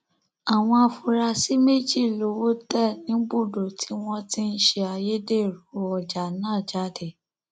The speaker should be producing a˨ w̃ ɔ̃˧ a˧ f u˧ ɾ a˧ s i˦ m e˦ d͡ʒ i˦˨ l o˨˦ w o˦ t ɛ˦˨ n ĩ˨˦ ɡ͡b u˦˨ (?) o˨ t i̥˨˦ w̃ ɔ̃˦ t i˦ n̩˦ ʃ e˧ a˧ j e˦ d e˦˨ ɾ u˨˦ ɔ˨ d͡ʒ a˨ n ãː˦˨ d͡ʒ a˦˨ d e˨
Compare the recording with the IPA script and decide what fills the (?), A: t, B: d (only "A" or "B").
B